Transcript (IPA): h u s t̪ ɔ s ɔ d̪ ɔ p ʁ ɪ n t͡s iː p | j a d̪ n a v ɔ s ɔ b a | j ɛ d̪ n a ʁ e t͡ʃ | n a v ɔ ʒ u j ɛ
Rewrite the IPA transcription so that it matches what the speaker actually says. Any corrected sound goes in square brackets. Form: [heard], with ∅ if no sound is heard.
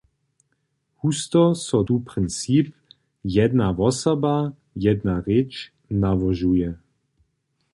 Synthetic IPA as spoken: h u s t̪ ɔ s ɔ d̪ [u] p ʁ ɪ n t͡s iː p | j [ɛ] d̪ n a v ɔ s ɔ b a | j ɛ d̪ n a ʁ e t͡ʃ | n a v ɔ ʒ u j ɛ